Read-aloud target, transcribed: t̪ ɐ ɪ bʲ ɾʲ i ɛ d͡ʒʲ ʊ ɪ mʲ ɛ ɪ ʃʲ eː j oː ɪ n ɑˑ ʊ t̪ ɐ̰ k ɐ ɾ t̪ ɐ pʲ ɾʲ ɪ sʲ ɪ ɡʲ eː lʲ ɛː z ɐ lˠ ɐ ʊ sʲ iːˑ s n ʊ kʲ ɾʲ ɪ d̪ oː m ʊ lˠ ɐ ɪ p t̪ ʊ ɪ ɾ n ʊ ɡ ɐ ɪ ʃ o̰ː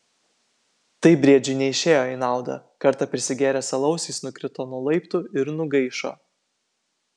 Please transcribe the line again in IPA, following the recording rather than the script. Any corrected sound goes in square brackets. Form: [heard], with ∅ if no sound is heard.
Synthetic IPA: t̪ ɐ ɪ bʲ ɾʲ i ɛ d͡ʒʲ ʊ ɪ [nʲ] ɛ ɪ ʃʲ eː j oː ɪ n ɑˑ ʊ [d̪] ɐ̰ k ɐ ɾ t̪ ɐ pʲ ɾʲ ɪ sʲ ɪ ɡʲ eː [ɾʲ] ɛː [s] ɐ lˠ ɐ ʊ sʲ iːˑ s n ʊ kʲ ɾʲ ɪ [t̪] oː [n] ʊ lˠ ɐ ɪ p t̪ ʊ ɪ ɾ n ʊ ɡ ɐ ɪ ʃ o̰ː